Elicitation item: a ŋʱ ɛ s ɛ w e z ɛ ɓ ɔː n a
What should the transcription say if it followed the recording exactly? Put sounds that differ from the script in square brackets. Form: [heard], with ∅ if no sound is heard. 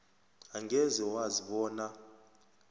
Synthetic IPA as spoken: a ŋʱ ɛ [z] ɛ w [a] z [i] ɓ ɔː n a